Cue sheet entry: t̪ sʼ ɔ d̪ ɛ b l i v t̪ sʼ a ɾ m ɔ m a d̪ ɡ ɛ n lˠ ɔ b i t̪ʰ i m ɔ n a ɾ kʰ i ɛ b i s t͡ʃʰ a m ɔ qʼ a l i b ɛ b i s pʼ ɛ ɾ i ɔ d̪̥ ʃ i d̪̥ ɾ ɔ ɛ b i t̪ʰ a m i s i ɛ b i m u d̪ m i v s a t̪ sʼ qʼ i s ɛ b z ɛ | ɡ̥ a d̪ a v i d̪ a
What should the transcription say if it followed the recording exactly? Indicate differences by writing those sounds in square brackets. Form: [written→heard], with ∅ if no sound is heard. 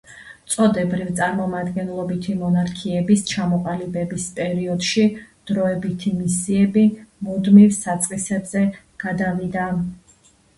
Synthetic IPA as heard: t̪ sʼ ɔ d̪ ɛ b [l→ɾ] i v t̪ sʼ a ɾ m ɔ m a d̪ ɡ ɛ n lˠ ɔ b i t̪ʰ i m ɔ n a ɾ kʰ i ɛ b i s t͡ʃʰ a m ɔ qʼ a l i b ɛ b i s pʼ ɛ ɾ i ɔ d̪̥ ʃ i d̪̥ ɾ ɔ ɛ b i t̪ʰ [a→i] m i s i ɛ b i m u d̪ m i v s a t̪ sʼ qʼ i s ɛ b z ɛ | ɡ̥ a d̪ a v i d̪ a

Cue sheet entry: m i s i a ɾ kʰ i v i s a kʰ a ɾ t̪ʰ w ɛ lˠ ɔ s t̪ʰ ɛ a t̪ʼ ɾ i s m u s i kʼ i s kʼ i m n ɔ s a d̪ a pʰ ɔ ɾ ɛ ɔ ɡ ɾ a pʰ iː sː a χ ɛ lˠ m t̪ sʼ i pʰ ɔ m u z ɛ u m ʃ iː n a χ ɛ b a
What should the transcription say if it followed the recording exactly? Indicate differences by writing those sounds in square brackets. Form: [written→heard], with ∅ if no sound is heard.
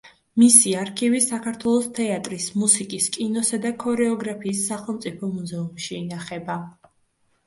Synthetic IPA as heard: m i s i a ɾ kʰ i v i s a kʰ a ɾ t̪ʰ w ɛ lˠ ɔ s t̪ʰ ɛ a t̪ʼ ɾ i s m u s i kʼ i s kʼ i [m→∅] n ɔ s a d̪ a [pʰ→kʰ] ɔ ɾ ɛ ɔ ɡ ɾ a pʰ iː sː a χ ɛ lˠ m t̪ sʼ i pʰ ɔ m u z ɛ u m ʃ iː n a χ ɛ b a

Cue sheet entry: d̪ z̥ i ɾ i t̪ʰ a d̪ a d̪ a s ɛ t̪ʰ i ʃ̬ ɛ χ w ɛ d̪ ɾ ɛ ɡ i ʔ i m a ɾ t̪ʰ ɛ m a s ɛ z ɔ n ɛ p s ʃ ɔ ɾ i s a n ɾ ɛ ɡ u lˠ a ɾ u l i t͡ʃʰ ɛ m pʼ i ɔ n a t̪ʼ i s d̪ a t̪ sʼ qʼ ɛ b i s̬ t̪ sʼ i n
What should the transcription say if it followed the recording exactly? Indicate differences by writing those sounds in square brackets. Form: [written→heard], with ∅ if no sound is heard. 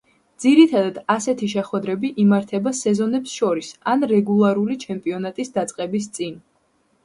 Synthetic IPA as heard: d̪ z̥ i ɾ i t̪ʰ a d̪ a d̪ a s ɛ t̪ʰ i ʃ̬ ɛ χ w ɛ d̪ ɾ ɛ [ɡ→b] i ʔ i m a ɾ t̪ʰ ɛ [m→b] a s ɛ z ɔ n ɛ p s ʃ ɔ ɾ i s a n ɾ ɛ ɡ u lˠ a ɾ u l i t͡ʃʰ ɛ m pʼ i ɔ n a t̪ʼ i s d̪ a t̪ sʼ qʼ ɛ b i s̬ t̪ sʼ i n

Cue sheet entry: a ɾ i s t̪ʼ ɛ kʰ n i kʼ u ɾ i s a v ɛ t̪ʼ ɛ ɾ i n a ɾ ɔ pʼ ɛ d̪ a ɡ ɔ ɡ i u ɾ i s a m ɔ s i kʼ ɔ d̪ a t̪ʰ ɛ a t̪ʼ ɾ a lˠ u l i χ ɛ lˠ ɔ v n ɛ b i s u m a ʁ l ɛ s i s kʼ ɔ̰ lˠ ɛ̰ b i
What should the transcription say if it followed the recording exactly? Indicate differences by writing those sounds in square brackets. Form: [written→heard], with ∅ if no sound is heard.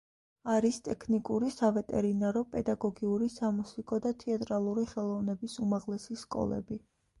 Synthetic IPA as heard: a ɾ i s t̪ʼ ɛ kʰ n i kʼ u ɾ i s a v ɛ t̪ʼ ɛ ɾ i n a ɾ ɔ pʼ ɛ d̪ a ɡ ɔ ɡ i u ɾ i s a m [ɔ→u] s i kʼ ɔ d̪ a t̪ʰ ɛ a t̪ʼ ɾ a lˠ u [l→ɾ] i χ ɛ lˠ ɔ v n ɛ b i s u m a ʁ l ɛ s i s kʼ ɔ̰ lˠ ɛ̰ b i

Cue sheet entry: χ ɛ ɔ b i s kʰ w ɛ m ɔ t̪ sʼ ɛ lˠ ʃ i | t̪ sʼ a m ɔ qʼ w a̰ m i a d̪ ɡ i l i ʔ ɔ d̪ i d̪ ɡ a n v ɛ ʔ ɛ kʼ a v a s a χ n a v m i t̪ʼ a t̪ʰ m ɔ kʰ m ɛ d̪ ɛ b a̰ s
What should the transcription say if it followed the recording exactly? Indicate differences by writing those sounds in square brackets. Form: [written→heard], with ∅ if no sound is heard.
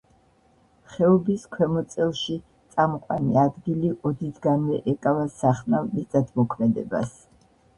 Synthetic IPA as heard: χ ɛ ɔ b i s kʰ w ɛ m ɔ t̪ sʼ ɛ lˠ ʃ i | t̪ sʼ a m ɔ qʼ w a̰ [m→n] i a d̪ ɡ i l i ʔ ɔ d̪ i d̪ ɡ a n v ɛ ʔ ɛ kʼ a v a s a χ n a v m i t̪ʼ a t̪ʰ m ɔ kʰ m ɛ d̪ ɛ b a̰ s

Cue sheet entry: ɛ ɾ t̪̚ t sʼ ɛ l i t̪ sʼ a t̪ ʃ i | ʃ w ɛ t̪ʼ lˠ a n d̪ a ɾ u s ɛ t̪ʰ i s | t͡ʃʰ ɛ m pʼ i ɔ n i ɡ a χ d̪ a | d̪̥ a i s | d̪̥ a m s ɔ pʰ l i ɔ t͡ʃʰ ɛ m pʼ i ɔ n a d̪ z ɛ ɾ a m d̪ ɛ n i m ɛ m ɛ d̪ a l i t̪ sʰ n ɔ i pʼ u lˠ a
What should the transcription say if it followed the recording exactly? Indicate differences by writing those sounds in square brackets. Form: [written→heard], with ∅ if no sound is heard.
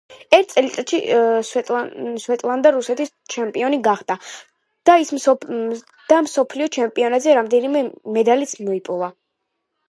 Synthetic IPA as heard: ɛ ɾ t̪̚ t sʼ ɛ l i t̪ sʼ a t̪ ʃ i | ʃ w ɛ t̪ʼ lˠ a n d̪ a ɾ u s ɛ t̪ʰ i s | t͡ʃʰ ɛ m pʼ i ɔ n i ɡ a χ d̪ a | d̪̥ a i s | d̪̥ a m s ɔ pʰ l i ɔ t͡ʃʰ ɛ m pʼ i ɔ n a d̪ z ɛ ɾ a m d̪ ɛ n i m ɛ m ɛ d̪ a l i t̪ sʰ [n→m] ɔ i pʼ u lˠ a

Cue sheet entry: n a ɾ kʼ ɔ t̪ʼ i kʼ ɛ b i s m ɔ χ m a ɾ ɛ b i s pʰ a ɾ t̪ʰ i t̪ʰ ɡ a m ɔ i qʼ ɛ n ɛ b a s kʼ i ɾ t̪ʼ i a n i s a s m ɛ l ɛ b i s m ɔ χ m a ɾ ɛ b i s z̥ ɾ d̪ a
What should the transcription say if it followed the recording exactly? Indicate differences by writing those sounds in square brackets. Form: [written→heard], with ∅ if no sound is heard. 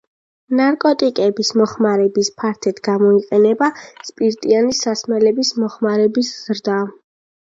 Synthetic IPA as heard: n a ɾ kʼ ɔ t̪ʼ i kʼ ɛ b i s m ɔ χ m a ɾ ɛ b i s pʰ a ɾ t̪ʰ [i→ɛ] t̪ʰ ɡ a m ɔ i qʼ ɛ n ɛ b a s [kʼ→pʼ] i ɾ t̪ʼ i a n i s a s m ɛ l ɛ b i s m ɔ χ m a ɾ ɛ b i s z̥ ɾ d̪ a

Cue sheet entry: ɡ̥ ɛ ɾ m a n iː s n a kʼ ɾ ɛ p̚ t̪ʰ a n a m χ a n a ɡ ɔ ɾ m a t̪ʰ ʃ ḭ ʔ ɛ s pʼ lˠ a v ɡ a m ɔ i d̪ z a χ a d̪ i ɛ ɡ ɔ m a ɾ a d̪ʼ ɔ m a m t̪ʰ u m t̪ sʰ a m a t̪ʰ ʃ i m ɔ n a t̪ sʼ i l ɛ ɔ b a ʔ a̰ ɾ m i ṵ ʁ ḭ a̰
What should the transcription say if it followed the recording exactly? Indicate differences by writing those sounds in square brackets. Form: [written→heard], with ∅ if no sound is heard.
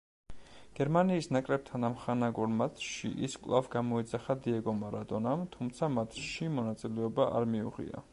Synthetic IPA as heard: ɡ̥ ɛ ɾ m a n iː s n a kʼ ɾ ɛ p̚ t̪ʰ a n a m χ a n a ɡ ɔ ɾ m a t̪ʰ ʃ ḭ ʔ [ɛ→i] s [pʼ→kʼ] lˠ a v ɡ a m ɔ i d̪ z a χ a d̪ i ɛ ɡ ɔ m a ɾ a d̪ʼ ɔ [m→n] a m t̪ʰ u m t̪ sʰ a m a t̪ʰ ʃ i m ɔ n a t̪ sʼ i l ɛ ɔ b a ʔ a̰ ɾ m i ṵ ʁ ḭ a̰

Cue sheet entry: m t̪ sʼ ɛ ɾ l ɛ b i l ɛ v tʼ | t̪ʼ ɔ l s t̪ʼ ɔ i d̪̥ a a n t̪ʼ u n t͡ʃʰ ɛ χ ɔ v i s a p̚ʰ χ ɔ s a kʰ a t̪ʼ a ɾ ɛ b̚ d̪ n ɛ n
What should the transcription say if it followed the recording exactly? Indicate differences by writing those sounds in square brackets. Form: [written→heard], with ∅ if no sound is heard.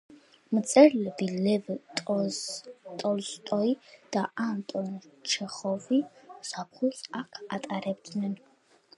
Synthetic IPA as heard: m t̪ sʼ ɛ ɾ l ɛ b i l ɛ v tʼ | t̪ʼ ɔ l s t̪ʼ ɔ i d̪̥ a a n t̪ʼ [u→ɔ] n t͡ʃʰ ɛ χ ɔ v i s a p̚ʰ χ [ɔ→u] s a kʰ a t̪ʼ a ɾ ɛ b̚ d̪ n ɛ n

